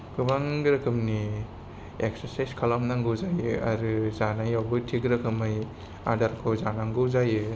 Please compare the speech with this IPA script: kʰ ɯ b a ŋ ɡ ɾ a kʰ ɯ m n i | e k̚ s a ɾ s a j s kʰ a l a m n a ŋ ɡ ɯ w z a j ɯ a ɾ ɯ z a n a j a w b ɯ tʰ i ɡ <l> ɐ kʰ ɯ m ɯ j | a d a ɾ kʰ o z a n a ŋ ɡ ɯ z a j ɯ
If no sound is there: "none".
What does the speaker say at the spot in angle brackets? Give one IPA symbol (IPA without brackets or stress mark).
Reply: ɾ